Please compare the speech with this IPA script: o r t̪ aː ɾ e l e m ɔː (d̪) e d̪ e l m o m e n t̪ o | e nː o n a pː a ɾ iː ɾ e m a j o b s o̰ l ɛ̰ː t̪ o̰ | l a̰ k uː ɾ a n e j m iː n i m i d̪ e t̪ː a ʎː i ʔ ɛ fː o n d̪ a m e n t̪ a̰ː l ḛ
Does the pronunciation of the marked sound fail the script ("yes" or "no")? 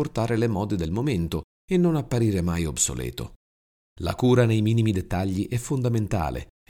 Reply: no